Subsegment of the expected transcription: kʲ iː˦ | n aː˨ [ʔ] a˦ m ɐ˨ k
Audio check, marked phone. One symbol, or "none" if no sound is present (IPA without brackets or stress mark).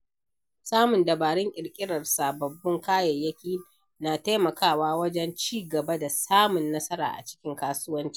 t